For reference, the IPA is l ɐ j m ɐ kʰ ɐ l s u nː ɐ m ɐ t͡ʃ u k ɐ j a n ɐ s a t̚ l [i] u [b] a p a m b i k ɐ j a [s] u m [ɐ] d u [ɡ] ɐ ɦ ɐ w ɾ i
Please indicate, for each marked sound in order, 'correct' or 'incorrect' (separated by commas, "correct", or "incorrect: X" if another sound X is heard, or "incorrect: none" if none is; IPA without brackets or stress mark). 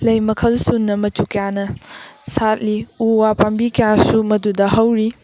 correct, incorrect: w, correct, correct, incorrect: d